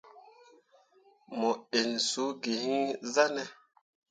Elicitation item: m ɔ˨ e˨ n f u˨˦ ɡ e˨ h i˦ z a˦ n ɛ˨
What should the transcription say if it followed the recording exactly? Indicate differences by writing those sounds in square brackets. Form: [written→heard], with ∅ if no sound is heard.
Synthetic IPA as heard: m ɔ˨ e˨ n [f→s] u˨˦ ɡ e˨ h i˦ z a˦ n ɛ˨